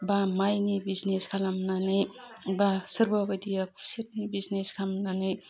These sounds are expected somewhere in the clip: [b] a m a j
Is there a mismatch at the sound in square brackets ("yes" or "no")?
no